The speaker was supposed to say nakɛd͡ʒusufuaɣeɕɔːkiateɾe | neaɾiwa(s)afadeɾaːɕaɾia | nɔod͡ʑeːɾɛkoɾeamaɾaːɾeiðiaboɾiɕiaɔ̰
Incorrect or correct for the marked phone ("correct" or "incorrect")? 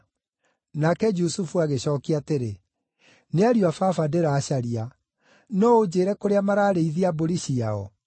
incorrect